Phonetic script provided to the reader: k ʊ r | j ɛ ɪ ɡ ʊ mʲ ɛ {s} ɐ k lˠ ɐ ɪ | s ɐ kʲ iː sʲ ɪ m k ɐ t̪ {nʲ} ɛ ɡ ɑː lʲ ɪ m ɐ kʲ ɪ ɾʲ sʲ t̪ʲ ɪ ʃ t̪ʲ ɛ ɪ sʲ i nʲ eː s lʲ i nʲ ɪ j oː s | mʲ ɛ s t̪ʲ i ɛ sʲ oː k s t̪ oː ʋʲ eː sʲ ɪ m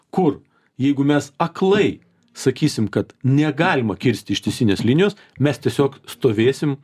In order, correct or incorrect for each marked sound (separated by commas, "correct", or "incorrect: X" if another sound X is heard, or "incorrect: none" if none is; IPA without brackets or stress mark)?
correct, correct